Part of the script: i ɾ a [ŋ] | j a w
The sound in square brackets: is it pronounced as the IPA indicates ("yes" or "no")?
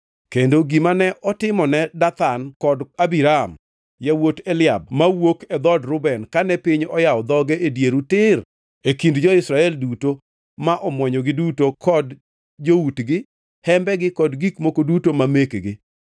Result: no